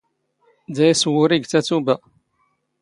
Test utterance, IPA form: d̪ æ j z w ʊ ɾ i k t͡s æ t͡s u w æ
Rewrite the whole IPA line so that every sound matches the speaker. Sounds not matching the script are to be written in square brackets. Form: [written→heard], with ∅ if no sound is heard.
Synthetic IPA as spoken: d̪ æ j [z→s] w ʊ ɾ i [k→ɡ] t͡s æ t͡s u [w→b] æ